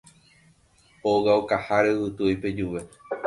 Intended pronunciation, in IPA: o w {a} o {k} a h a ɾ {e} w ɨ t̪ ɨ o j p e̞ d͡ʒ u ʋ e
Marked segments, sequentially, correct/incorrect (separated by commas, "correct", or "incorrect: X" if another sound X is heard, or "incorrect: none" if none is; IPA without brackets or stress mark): correct, correct, correct